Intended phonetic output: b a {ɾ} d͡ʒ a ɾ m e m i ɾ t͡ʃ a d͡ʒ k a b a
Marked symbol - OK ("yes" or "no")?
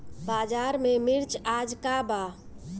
no